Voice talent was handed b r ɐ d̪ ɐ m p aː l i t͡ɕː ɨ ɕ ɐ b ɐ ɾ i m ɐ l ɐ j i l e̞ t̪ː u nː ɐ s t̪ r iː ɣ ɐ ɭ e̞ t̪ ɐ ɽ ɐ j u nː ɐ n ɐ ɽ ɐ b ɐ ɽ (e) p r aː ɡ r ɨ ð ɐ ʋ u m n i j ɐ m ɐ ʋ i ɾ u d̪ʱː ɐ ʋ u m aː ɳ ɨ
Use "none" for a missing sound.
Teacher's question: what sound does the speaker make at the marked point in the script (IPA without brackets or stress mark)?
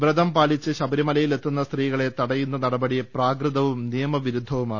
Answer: i